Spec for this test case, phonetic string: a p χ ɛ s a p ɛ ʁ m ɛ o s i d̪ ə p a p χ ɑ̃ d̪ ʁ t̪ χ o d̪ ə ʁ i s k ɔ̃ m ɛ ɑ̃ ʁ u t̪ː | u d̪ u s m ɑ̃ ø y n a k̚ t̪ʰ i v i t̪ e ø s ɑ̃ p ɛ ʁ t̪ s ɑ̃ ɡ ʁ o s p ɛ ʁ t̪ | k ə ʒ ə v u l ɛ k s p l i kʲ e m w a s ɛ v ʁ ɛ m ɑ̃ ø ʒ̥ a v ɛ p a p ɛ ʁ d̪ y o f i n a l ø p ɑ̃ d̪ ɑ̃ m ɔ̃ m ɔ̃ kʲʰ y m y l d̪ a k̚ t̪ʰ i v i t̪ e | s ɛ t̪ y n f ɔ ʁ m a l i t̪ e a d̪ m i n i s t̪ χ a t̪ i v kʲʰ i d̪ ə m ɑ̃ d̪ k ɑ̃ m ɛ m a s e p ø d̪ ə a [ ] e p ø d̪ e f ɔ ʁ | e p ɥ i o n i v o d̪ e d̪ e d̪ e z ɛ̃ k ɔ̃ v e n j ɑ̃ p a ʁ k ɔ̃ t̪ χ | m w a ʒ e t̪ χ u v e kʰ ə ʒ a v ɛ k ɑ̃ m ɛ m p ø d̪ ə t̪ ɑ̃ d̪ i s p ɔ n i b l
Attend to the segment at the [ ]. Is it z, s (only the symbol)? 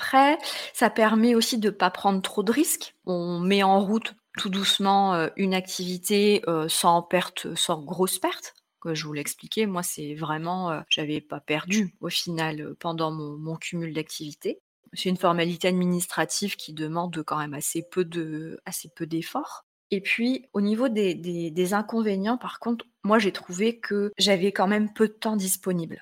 s